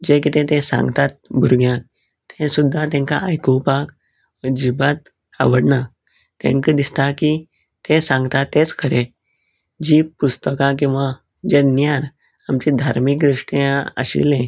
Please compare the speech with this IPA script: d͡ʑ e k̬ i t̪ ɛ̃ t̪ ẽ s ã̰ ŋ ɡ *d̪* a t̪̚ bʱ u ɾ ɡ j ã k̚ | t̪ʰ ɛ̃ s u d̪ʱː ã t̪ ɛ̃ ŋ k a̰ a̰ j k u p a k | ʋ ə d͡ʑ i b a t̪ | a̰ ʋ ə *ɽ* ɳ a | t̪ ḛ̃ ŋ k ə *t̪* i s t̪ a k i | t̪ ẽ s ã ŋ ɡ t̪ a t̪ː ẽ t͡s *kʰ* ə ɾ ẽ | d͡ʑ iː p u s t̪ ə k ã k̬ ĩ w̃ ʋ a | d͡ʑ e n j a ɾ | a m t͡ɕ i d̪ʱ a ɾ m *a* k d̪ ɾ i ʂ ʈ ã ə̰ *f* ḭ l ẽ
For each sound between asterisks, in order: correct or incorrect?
incorrect: t̪, correct, incorrect: d̪, correct, incorrect: i, incorrect: ɕ

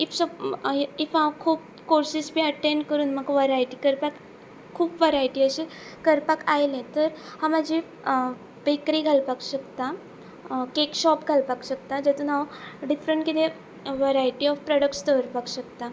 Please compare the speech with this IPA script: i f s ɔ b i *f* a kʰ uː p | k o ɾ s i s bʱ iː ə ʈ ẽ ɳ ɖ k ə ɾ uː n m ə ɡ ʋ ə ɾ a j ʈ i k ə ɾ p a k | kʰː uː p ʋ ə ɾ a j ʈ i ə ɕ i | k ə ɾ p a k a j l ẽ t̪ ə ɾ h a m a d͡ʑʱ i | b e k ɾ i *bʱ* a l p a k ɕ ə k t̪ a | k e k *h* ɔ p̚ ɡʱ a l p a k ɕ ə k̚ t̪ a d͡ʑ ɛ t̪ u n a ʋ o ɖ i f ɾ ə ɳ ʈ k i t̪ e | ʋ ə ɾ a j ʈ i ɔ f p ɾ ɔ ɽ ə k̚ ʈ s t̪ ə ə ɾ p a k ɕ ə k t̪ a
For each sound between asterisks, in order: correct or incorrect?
correct, incorrect: ɡʱ, incorrect: ɕ

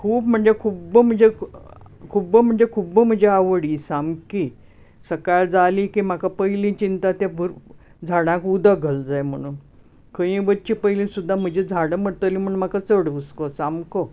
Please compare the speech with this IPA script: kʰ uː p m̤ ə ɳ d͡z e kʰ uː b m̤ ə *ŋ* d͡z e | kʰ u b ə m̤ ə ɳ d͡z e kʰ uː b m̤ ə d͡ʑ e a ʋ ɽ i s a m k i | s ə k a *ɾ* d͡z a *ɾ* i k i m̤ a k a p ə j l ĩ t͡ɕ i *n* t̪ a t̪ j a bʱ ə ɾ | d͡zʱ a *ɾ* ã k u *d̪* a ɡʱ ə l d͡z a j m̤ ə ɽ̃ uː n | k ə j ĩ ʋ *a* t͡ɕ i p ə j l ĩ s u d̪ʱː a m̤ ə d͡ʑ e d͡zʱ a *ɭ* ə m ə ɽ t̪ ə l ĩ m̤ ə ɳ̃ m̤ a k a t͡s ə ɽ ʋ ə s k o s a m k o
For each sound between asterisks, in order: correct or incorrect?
incorrect: ɳ, incorrect: ɭ, incorrect: l, correct, incorrect: ɽ, correct, incorrect: ə, incorrect: ɽ

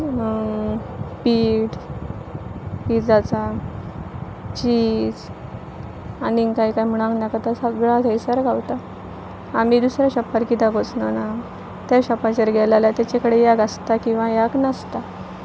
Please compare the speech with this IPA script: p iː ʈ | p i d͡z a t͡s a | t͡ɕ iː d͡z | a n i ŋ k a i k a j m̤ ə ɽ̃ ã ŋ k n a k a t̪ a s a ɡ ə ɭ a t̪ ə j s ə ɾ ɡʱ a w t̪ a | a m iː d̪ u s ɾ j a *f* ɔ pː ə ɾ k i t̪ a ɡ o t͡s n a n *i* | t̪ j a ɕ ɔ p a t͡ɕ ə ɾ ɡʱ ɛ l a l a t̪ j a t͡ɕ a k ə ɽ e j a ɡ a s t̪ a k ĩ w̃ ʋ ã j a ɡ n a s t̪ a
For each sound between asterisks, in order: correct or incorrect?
incorrect: ɕ, incorrect: a

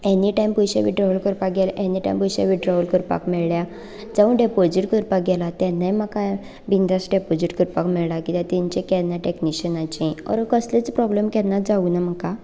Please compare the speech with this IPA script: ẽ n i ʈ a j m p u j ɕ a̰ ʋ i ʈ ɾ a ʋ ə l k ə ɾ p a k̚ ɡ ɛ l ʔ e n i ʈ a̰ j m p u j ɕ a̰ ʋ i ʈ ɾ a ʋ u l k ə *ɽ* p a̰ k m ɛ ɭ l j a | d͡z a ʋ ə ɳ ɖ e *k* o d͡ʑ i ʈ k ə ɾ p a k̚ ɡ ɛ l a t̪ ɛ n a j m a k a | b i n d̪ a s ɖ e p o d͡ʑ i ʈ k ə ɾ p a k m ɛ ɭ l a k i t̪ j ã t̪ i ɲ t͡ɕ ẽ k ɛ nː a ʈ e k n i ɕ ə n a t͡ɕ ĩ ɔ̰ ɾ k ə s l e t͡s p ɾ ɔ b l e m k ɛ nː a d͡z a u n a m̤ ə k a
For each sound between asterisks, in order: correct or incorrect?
incorrect: ɾ, incorrect: p

